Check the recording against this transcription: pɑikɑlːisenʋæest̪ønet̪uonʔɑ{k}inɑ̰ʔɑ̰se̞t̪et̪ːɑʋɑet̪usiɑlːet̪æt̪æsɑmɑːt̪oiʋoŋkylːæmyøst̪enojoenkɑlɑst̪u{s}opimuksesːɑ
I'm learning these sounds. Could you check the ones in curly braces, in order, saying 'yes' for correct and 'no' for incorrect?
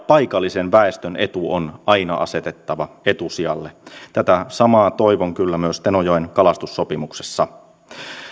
no, no

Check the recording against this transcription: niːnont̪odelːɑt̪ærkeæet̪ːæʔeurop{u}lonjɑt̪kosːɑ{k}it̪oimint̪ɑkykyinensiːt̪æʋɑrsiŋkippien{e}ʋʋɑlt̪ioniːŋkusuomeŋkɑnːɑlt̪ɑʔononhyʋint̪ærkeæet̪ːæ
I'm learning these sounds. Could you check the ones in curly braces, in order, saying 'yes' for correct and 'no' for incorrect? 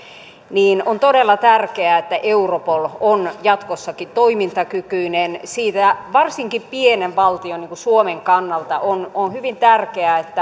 no, yes, yes

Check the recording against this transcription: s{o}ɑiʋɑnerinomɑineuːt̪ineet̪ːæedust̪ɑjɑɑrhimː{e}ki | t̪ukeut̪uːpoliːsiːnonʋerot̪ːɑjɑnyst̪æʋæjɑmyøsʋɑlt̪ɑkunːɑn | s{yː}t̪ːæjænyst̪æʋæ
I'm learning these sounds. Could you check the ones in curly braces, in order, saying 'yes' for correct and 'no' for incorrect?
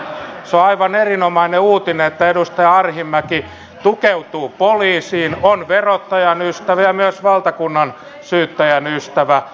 yes, no, yes

